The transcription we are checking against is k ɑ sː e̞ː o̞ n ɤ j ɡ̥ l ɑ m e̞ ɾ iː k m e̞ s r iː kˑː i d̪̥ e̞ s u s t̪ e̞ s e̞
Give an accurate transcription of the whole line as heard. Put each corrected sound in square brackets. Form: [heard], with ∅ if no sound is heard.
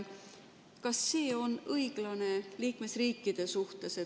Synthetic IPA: k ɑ sː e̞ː o̞ n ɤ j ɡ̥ l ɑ [n] e̞ [l] iː k m e̞ s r iː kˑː i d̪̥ e̞ s u [h] t̪ e̞ s e̞